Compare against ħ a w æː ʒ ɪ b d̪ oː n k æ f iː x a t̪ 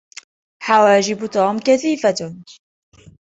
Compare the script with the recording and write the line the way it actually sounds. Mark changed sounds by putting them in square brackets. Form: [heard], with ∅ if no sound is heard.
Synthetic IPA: ħ a w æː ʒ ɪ b [t̪] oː [m] k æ [θ] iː [f] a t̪

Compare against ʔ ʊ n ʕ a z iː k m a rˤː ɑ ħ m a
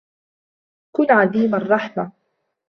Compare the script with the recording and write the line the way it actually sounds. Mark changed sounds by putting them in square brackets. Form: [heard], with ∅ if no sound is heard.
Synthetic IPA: [k] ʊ n ʕ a [ð] iː [∅] m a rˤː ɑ ħ m a

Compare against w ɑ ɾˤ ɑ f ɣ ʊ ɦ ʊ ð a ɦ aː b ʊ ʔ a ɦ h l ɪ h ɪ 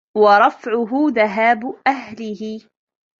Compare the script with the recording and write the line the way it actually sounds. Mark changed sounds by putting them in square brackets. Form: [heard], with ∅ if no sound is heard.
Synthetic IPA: w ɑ ɾˤ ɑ f [ʕ] ʊ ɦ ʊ ð a ɦ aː b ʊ ʔ a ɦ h l ɪ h ɪ

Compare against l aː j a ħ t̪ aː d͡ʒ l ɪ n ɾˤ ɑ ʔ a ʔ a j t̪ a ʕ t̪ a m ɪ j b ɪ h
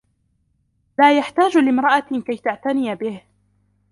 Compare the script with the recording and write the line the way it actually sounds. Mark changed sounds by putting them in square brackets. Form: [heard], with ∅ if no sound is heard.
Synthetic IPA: l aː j a ħ t̪ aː d͡ʒ l ɪ [m] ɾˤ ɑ ʔ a [k] a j t̪ a ʕ t̪ a [n] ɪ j b ɪ h

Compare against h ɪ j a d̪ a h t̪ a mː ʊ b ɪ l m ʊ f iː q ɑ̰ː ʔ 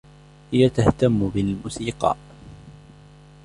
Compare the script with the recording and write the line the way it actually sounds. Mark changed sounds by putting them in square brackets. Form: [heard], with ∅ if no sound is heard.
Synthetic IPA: h ɪ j a [t̪] a h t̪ a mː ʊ b ɪ l m ʊ [s] iː q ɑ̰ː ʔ

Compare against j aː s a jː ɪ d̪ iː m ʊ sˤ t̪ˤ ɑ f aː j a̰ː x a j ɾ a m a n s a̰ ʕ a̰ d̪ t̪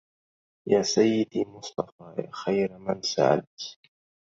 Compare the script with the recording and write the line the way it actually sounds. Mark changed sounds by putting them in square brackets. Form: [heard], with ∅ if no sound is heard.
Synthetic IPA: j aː s a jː ɪ d̪ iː m ʊ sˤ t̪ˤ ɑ f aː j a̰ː x a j ɾ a m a n s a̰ ʕ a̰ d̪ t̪

